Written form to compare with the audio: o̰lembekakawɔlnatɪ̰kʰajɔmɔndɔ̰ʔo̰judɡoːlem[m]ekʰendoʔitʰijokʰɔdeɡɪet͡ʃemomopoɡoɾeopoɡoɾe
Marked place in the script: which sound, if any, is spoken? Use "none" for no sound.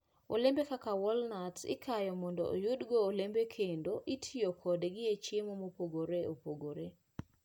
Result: b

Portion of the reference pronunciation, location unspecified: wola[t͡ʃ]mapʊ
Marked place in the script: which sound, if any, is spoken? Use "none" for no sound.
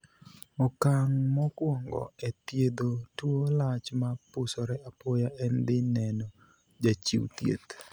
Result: t͡ʃ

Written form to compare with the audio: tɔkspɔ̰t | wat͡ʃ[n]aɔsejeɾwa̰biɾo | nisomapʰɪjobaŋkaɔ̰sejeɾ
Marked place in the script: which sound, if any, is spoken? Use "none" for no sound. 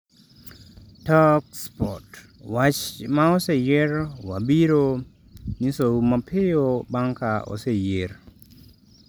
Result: m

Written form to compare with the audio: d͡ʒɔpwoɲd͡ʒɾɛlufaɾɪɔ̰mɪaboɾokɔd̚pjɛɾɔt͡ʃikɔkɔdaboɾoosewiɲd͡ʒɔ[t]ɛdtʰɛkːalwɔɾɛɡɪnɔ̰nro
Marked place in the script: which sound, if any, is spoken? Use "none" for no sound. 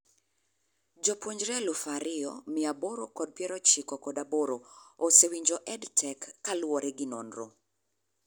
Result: ʔ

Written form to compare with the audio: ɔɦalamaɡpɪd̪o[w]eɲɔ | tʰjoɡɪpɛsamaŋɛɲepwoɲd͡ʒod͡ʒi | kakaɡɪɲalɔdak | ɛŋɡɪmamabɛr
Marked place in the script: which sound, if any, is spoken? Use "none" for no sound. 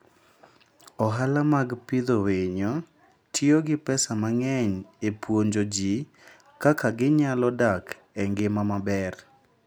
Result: w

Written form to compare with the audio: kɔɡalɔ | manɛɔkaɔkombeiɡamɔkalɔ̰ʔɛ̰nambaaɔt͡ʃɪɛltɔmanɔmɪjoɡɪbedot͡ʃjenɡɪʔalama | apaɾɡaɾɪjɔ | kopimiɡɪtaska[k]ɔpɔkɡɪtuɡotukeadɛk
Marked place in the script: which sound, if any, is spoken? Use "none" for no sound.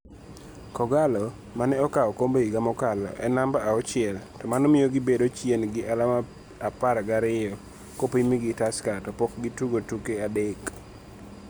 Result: t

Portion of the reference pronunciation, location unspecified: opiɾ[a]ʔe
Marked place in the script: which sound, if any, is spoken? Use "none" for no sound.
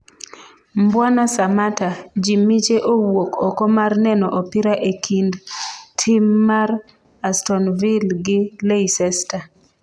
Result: a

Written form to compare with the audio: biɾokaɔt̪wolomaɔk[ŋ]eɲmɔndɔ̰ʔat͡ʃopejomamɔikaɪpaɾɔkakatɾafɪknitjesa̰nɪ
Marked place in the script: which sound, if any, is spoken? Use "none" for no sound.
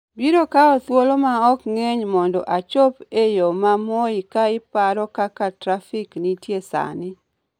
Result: ŋ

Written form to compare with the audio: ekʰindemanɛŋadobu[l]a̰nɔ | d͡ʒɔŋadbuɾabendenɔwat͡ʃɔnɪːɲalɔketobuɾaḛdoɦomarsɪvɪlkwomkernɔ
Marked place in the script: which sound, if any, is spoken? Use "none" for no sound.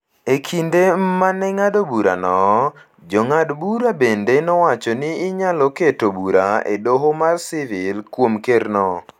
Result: ɾ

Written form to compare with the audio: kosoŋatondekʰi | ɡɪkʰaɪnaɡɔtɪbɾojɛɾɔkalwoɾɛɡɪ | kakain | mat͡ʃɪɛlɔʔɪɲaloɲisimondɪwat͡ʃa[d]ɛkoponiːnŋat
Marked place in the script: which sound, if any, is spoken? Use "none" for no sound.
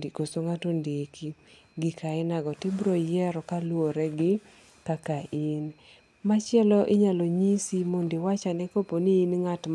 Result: n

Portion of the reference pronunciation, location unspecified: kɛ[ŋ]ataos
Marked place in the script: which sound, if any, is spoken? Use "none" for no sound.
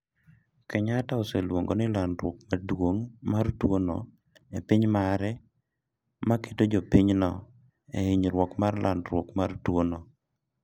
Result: ɲ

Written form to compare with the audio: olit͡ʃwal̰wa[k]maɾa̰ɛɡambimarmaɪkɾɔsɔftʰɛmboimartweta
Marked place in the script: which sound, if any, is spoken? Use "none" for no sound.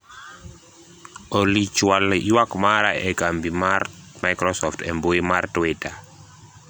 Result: k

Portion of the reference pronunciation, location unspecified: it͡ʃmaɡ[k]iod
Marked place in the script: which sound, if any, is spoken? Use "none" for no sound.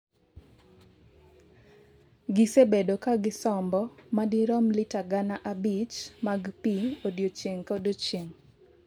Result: p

